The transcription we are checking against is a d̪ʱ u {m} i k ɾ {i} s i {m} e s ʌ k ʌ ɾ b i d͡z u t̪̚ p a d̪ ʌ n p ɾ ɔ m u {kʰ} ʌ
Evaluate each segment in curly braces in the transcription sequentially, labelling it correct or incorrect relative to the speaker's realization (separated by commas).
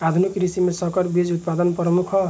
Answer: incorrect, correct, correct, correct